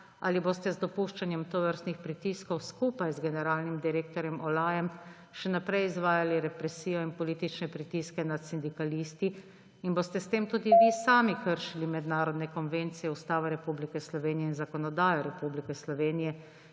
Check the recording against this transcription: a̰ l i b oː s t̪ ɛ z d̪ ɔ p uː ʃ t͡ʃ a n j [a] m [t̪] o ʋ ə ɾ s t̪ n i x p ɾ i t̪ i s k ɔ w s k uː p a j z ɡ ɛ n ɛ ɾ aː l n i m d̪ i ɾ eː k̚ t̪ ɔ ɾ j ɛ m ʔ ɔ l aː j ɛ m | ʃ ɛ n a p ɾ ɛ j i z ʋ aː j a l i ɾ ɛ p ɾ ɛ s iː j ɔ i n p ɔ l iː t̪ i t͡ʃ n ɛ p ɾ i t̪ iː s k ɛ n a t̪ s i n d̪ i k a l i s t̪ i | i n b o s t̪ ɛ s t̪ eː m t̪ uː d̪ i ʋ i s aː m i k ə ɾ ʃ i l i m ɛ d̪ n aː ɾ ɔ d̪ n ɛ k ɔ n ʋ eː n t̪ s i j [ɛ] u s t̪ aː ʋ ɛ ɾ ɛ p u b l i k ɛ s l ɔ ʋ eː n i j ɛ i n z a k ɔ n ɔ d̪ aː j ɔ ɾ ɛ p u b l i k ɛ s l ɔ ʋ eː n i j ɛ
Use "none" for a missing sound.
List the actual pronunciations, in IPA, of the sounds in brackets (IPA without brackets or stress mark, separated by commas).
ɛ, t̪, ɛ